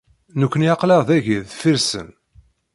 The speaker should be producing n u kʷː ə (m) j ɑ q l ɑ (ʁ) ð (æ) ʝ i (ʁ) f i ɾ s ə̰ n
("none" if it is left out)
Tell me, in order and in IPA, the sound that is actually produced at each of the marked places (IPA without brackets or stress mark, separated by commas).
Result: n, ʁ, æ, ð